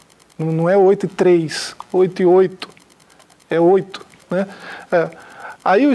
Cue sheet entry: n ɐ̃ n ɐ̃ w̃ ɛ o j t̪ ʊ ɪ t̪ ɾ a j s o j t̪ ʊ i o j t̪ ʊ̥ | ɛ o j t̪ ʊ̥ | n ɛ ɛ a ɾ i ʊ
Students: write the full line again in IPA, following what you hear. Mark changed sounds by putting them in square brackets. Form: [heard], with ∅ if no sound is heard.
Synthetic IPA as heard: n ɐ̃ n ɐ̃ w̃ ɛ o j t̪ ʊ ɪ t̪ ɾ [e] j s o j t̪ ʊ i o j t̪ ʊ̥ | ɛ o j t̪ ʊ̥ | n ɛ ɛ a [∅] i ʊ